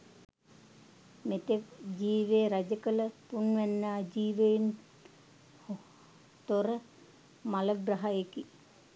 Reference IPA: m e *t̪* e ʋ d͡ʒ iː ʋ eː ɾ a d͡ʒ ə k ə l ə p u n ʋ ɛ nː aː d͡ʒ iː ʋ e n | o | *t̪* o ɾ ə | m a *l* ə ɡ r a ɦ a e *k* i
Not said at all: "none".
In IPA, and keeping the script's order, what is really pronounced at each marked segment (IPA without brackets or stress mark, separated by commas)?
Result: t̪, t̪, l, k